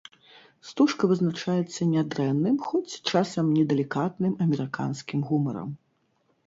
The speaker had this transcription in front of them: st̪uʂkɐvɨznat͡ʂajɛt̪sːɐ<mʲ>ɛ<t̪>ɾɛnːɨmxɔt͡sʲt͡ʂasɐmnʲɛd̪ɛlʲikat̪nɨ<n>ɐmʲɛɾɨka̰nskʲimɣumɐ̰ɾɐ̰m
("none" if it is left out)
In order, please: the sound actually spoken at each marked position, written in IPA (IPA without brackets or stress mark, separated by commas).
nʲ, d̪, m